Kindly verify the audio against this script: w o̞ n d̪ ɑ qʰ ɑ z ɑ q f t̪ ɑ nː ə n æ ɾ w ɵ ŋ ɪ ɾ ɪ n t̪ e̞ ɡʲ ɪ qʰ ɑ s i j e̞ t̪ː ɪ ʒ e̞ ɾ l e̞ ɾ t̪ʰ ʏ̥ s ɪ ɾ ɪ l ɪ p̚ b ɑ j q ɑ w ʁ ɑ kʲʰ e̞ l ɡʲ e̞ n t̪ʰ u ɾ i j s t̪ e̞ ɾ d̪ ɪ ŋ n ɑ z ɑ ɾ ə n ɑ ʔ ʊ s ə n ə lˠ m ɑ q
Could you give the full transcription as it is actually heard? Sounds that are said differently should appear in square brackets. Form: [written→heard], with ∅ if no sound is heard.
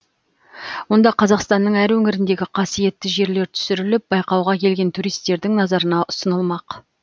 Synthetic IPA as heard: w o̞ n d̪ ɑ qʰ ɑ z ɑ q [f→s] t̪ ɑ nː ə [n→ɴ] æ ɾ w ɵ ŋ ɪ ɾ ɪ n [t̪→d̪] e̞ ɡʲ ɪ qʰ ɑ s i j e̞ t̪ː ɪ ʒ e̞ ɾ l e̞ ɾ t̪ʰ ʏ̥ s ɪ ɾ ɪ l ɪ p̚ b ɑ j q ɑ w ʁ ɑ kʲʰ e̞ l ɡʲ e̞ n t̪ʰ u ɾ i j s t̪ e̞ ɾ d̪ ɪ ŋ n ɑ z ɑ ɾ ə n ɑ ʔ ʊ s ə n ə lˠ m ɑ q